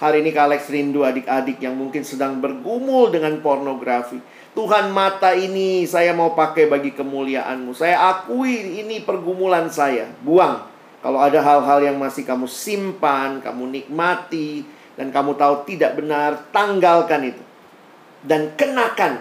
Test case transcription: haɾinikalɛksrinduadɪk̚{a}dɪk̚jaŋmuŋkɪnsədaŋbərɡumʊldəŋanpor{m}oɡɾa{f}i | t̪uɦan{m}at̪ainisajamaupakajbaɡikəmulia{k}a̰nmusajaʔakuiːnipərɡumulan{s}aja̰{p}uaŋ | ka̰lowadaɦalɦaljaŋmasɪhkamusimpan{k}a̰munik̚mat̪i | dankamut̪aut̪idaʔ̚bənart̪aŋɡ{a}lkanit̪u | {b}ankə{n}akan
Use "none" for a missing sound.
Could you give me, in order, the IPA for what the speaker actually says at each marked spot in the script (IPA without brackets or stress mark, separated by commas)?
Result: a, n, f, m, ʔ, s, b, k, a, d, n